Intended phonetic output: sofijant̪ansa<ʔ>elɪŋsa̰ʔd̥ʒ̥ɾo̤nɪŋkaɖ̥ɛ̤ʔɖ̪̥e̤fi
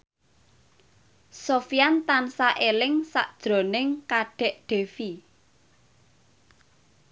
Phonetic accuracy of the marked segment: correct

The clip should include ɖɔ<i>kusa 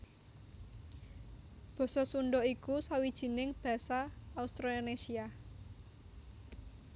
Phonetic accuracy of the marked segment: correct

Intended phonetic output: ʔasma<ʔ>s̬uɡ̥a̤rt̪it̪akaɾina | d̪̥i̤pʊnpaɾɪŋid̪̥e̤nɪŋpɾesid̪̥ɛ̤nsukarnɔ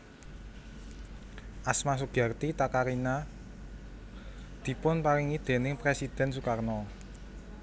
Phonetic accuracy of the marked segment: incorrect: none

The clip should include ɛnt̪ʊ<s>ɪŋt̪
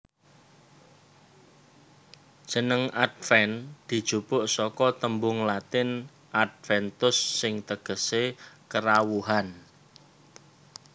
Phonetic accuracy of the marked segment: incorrect: sː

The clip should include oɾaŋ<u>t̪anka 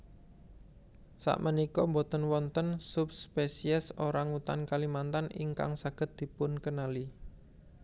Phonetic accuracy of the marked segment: correct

